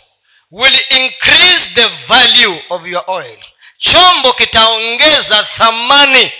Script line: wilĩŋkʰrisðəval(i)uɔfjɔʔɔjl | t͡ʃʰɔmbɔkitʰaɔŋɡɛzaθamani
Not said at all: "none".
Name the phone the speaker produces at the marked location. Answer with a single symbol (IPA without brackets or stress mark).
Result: j